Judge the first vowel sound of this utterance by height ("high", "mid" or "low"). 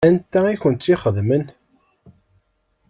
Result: low